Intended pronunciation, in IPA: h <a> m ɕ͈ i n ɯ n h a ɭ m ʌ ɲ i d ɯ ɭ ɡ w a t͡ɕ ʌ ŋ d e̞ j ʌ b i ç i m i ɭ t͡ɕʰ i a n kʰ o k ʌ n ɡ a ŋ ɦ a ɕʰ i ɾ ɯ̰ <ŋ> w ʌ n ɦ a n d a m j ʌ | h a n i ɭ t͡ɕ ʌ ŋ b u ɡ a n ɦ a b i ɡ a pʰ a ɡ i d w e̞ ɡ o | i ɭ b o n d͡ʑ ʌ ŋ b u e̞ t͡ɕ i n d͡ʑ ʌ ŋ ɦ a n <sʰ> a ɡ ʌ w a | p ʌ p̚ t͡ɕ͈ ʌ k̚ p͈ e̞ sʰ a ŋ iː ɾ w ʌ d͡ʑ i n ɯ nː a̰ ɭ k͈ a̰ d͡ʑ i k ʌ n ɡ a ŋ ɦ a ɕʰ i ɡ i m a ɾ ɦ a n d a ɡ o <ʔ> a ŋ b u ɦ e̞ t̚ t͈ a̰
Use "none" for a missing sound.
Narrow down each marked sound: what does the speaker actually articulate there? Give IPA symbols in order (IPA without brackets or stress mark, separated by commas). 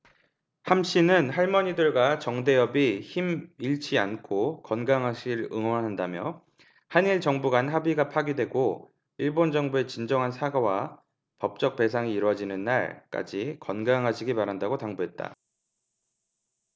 a, ŋ, sʰ, t